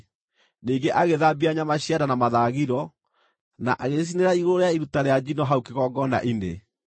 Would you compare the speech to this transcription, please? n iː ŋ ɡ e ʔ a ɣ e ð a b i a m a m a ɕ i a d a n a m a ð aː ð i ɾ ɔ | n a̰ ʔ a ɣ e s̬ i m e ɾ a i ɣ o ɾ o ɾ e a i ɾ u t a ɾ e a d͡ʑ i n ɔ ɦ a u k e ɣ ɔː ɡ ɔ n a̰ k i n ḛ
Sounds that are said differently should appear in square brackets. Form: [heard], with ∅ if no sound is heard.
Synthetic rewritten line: n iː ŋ ɡ e ʔ a ɣ e ð a b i a [ɲ] a m a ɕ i a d a n a m a ð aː [ɣ] i ɾ ɔ | n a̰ ʔ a ɣ e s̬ i [n] e ɾ a i ɣ o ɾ o ɾ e a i ɾ u t a ɾ e a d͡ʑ i n ɔ ɦ a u k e ɣ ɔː ɡ ɔ n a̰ [ʔ] i n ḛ